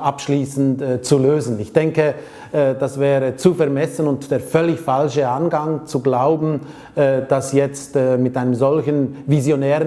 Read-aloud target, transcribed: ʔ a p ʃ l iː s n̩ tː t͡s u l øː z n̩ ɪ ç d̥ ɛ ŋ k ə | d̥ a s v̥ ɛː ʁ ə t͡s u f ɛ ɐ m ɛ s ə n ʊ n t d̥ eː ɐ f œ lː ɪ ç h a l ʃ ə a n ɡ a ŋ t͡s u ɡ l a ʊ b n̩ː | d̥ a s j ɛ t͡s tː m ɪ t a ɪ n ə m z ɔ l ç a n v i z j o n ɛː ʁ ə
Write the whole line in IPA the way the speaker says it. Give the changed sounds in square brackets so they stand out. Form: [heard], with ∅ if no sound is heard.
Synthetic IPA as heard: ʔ a p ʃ l iː s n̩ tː t͡s u l øː z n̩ ɪ ç d̥ ɛ ŋ k ə | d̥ a s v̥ ɛː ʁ ə t͡s u f ɛ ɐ m ɛ s ə n ʊ n t d̥ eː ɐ f œ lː ɪ ç [f] a l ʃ ə a n ɡ a ŋ t͡s u ɡ l a ʊ b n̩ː | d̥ a s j ɛ t͡s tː m ɪ t a ɪ n ə m z ɔ l ç [ə] n v i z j o n ɛː ʁ ə